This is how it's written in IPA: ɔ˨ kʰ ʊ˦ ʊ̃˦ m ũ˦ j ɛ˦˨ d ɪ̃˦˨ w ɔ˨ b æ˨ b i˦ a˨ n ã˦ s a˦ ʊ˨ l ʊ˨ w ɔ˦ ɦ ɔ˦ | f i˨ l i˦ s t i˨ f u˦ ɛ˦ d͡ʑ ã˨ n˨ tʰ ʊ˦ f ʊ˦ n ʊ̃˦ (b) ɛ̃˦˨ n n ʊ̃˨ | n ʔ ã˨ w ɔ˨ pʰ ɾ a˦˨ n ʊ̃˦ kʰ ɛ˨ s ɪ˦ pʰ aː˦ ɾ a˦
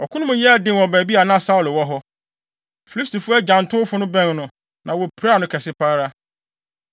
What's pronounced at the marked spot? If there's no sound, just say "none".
b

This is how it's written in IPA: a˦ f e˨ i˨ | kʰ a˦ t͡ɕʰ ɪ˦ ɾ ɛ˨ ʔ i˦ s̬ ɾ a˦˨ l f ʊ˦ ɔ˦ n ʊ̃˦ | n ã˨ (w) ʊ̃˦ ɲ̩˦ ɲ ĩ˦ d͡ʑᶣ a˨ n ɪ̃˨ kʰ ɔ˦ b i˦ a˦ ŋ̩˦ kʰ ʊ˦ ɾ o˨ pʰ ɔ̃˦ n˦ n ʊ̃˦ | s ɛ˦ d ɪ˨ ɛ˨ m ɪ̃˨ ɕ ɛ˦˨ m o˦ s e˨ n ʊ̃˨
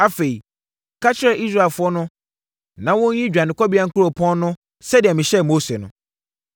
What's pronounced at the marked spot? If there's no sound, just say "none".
w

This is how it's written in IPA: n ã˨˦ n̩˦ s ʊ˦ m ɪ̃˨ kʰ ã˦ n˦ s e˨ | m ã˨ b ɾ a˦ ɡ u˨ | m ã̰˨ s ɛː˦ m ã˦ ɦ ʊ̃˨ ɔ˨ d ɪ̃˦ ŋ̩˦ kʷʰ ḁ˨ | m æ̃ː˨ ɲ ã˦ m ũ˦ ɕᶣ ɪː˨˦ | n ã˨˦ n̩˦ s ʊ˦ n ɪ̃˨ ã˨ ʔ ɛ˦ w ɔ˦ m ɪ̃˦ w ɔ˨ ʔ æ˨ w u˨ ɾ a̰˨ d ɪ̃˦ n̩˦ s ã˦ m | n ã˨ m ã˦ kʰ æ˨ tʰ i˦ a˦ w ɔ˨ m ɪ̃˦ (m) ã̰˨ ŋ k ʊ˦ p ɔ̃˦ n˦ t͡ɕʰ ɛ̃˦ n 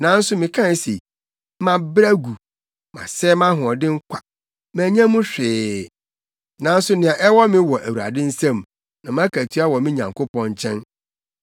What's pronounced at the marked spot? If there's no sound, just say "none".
ɲ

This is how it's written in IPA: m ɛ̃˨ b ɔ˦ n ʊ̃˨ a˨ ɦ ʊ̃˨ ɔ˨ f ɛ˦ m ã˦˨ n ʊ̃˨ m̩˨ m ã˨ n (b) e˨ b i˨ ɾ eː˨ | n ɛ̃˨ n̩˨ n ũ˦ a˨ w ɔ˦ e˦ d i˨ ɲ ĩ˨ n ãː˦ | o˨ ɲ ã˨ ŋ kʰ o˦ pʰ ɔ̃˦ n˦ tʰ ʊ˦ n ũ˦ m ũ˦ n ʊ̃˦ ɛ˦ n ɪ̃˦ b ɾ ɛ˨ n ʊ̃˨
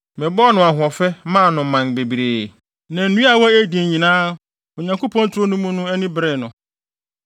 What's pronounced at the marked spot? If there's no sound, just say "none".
b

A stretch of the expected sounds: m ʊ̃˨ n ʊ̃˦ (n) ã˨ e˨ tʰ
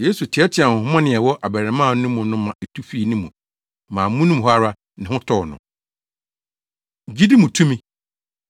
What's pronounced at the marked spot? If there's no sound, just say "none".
m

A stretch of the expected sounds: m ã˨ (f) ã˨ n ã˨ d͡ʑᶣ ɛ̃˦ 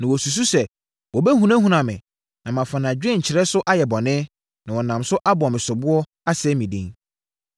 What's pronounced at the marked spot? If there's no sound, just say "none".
f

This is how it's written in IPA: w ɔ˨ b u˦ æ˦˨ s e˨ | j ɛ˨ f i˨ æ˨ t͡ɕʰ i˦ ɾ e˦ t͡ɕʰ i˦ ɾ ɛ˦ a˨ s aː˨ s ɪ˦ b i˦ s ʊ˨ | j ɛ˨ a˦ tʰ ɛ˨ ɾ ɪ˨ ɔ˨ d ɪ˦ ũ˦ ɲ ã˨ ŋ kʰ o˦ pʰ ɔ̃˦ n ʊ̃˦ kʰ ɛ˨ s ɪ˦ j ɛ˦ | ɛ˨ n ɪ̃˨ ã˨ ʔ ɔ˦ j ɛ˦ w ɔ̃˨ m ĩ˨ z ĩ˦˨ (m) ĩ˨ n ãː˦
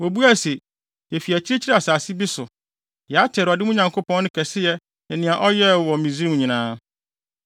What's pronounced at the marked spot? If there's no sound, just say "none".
ɲ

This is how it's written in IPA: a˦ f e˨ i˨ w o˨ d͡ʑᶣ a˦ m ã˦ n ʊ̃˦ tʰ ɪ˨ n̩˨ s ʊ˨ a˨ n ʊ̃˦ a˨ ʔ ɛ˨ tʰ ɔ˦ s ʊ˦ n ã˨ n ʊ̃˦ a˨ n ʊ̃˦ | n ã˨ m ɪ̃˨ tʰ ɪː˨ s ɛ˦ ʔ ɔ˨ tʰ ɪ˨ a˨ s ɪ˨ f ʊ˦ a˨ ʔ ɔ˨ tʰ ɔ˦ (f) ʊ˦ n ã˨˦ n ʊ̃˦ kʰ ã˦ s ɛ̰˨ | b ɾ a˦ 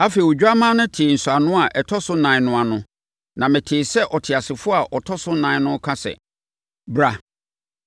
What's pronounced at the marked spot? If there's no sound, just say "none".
s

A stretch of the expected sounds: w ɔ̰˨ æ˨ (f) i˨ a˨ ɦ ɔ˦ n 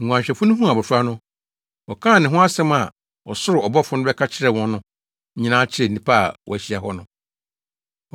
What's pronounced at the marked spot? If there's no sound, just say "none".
ɕ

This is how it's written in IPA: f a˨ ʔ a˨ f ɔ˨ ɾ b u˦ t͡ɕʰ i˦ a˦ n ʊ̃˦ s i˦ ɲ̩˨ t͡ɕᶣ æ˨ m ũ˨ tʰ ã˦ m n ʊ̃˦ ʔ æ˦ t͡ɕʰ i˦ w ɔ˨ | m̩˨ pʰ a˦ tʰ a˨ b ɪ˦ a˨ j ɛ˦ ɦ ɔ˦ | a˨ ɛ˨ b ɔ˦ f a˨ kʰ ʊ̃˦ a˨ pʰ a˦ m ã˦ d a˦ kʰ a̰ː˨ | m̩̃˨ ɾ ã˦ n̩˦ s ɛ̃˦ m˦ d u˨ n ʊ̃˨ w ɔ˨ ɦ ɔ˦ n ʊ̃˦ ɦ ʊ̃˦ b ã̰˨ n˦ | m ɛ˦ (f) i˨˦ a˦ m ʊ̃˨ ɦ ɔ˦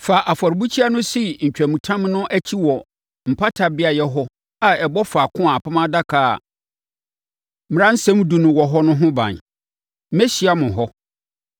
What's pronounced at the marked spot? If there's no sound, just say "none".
ɕ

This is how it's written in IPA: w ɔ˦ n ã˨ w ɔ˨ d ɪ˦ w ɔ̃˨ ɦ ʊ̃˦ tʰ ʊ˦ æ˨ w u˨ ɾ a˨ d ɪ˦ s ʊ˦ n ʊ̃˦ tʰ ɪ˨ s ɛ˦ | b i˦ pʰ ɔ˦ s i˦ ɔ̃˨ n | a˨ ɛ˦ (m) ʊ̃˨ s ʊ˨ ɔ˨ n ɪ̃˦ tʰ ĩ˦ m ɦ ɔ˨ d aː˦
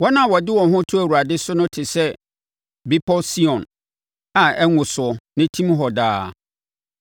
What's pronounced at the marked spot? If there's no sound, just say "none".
ŋ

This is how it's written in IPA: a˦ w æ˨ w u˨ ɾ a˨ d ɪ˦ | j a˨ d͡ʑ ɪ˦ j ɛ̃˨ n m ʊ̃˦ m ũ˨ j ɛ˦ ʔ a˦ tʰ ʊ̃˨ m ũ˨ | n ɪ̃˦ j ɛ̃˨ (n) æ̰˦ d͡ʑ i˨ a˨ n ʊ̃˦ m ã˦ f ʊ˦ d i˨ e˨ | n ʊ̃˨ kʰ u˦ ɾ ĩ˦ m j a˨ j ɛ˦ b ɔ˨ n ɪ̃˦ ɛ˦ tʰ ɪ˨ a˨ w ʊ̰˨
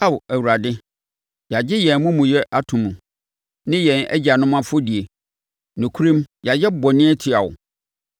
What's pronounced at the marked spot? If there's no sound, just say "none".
n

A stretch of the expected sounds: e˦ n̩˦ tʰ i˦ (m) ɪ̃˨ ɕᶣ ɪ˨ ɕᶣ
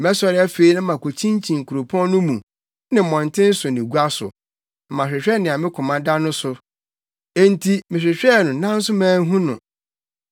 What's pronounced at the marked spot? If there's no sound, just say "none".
m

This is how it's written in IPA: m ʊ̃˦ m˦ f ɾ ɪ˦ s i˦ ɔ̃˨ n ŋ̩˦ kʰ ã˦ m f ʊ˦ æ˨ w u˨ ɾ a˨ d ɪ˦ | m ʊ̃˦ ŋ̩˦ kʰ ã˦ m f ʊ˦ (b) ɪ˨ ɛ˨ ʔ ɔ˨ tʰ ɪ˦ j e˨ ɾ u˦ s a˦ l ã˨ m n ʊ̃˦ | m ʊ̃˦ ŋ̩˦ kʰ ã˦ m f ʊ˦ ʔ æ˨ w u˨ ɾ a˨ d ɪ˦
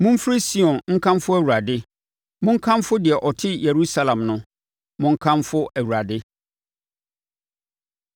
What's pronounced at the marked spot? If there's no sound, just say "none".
d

